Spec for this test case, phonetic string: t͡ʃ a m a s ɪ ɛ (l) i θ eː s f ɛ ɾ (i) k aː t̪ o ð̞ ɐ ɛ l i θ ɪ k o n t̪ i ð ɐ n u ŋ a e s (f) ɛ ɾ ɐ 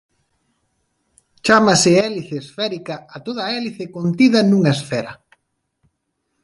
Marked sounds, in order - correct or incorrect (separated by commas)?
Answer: correct, correct, correct